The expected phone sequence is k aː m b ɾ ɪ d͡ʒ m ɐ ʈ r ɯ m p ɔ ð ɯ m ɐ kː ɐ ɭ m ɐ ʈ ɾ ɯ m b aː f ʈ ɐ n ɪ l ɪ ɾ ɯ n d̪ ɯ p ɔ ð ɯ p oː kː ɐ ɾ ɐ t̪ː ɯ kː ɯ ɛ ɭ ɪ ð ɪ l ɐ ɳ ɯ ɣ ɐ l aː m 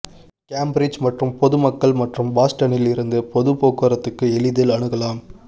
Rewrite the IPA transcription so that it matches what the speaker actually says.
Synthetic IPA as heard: k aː m b ɾ ɪ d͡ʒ m ɐ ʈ r ɯ m p ɔ ð ɯ m ɐ kː ɐ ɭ m ɐ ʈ r ɯ m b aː s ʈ ɐ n ɪ l ɪ ɾ ɯ n d̪ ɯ p ɔ ð ɯ p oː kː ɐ ɾ ɐ t̪ː ɯ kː ɯ ɛ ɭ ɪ ð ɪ l ɐ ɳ ɯ ɣ ɐ l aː m